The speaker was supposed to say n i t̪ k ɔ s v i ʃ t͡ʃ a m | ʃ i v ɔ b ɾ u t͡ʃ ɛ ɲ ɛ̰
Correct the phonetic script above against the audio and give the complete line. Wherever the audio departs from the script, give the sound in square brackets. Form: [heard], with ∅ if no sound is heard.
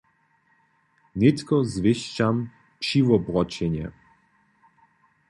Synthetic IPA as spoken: n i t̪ k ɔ [z] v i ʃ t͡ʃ a m | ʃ i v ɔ b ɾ [ɔ] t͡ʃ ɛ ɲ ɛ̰

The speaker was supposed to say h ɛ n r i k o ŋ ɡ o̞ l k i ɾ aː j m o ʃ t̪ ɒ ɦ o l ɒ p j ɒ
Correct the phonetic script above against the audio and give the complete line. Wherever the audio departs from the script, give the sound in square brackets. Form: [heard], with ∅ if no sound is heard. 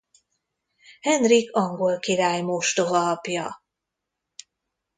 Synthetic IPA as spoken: h ɛ n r i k [ɒ] ŋ ɡ o̞ l k i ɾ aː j m o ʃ t̪ [o] ɦ [ɒ] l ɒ p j ɒ

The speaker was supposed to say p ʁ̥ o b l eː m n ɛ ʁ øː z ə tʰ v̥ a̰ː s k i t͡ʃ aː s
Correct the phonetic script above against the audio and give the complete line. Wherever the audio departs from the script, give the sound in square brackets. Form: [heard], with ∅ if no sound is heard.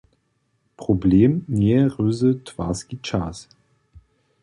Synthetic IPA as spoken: p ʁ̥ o b l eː m n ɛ ʁ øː z ə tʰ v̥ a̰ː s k i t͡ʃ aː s

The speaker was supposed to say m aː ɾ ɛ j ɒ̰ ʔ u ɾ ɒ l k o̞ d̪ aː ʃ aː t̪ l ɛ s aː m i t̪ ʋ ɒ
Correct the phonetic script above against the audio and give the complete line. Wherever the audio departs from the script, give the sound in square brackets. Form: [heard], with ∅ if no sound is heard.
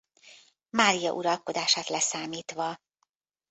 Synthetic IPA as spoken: m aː ɾ [i] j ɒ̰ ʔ u ɾ ɒ l k o̞ d̪ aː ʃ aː t̪ l ɛ s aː m [iː] t̪ ʋ ɒ

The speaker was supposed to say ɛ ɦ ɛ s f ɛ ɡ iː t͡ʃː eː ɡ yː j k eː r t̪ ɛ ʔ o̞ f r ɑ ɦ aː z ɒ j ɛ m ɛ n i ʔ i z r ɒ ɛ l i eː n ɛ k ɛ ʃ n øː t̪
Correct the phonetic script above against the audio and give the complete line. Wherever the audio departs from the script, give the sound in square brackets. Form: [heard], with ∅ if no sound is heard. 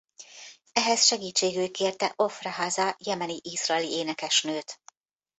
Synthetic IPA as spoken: ɛ ɦ ɛ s [ʃ] ɛ ɡ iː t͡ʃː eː ɡ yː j k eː r t̪ ɛ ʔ o̞ f r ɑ ɦ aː z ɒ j ɛ m ɛ n i ʔ i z r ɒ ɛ l i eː n ɛ k ɛ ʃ n øː t̪

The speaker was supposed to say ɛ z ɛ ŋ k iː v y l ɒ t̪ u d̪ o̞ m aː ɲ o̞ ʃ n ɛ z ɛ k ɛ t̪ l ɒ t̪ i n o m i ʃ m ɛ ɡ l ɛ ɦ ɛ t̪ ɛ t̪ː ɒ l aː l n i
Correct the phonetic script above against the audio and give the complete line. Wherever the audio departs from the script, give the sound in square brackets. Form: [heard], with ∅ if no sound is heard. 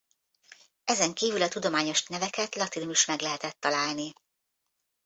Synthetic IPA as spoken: ɛ z ɛ ŋ k iː v y l ɒ t̪ u d̪ o̞ m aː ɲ o̞ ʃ n ɛ [v] ɛ k ɛ t̪ l ɒ t̪ i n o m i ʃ m ɛ ɡ l ɛ ɦ ɛ t̪ ɛ t̪ː ɒ l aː l n i

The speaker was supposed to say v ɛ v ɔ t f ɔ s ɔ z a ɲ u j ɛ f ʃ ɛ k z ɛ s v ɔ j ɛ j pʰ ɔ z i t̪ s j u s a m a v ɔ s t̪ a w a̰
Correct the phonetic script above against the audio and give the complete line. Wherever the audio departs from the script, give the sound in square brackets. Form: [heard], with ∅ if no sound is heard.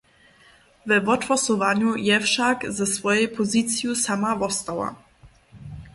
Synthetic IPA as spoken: v ɛ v ɔ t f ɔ s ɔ [v] a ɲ u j ɛ f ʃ [a] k z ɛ s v ɔ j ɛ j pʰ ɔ z i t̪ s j u s a m a v ɔ s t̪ a w a̰

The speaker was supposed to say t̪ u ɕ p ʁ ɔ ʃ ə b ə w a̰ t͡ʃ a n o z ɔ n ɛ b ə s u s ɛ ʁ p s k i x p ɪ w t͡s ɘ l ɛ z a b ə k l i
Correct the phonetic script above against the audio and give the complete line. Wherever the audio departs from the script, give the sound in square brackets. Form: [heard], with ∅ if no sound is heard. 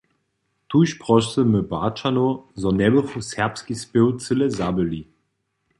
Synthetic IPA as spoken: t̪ u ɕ p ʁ ɔ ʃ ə [m] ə [b] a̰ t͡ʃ a n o z ɔ n ɛ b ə [f] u s ɛ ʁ p s k i [s] p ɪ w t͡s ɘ l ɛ z a b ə [∅] l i

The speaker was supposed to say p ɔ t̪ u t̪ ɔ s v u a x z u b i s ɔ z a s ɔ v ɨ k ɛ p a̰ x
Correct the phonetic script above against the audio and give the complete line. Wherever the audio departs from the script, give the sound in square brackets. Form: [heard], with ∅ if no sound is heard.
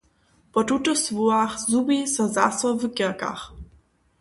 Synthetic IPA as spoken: p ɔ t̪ u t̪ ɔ s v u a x z u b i s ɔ z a s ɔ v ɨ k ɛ [k] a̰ x

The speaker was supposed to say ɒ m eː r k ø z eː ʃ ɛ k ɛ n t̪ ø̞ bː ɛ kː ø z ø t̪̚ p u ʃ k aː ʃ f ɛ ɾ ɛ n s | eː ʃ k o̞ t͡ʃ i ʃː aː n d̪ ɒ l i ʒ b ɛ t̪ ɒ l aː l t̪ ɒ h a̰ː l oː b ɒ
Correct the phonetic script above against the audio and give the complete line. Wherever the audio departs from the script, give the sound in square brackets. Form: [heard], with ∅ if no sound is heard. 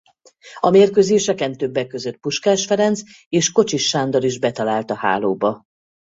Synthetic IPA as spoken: ɒ m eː r k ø z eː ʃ ɛ k ɛ n t̪ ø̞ bː ɛ kː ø z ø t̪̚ p u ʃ k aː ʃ f ɛ ɾ ɛ n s | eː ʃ k o̞ t͡ʃ i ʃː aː n d̪ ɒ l i ʒ b ɛ t̪ ɒ l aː l t̪ ɒ h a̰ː l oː b ɒ

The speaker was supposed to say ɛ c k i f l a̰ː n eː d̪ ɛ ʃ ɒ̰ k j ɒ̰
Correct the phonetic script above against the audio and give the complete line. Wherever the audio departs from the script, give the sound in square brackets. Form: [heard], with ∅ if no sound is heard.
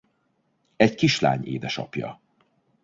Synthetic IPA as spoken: ɛ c k i [ʃ] l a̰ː [ɲ] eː d̪ ɛ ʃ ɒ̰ [p] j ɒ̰

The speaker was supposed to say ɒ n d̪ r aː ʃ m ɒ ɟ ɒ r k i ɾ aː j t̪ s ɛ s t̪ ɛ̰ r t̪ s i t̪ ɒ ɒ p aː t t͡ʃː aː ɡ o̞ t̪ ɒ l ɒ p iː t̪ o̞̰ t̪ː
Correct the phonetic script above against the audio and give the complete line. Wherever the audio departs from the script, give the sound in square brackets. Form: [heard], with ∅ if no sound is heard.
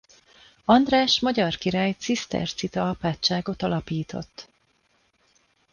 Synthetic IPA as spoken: ɒ n d̪ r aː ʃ m ɒ ɟ ɒ r k i ɾ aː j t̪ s [i] s t̪ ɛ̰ r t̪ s i t̪ ɒ ɒ p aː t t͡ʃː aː ɡ o̞ t̪ ɒ l ɒ p iː t̪ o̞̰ t̪ː

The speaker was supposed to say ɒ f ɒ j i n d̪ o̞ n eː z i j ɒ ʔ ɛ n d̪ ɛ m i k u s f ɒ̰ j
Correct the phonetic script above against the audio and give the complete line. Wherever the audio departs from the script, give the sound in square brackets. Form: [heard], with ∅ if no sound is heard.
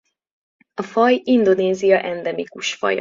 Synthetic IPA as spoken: ɒ f ɒ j i n d̪ o̞ n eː z i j ɒ ʔ ɛ n d̪ ɛ m i k u [ʃ] f ɒ̰ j

